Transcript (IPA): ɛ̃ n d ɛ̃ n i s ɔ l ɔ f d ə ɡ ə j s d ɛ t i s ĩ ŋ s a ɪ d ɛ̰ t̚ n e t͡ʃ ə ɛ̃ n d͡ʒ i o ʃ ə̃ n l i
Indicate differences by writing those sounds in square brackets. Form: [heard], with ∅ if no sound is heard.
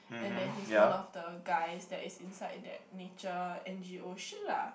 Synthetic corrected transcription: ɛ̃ n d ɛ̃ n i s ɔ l ɔ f d ə ɡ [a] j s d ɛ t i s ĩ [n] s a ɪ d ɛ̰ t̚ n e t͡ʃ ə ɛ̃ n d͡ʒ i o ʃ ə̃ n l [a]